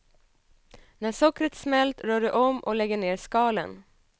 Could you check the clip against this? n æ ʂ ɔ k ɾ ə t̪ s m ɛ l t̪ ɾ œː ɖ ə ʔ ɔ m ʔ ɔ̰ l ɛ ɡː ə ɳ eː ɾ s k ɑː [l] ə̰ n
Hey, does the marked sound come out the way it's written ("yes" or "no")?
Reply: yes